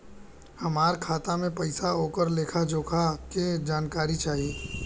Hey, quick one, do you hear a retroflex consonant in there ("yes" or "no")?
no